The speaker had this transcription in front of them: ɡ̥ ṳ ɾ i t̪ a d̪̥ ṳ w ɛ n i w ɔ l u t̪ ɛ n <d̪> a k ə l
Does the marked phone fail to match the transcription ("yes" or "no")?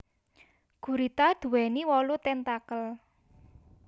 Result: yes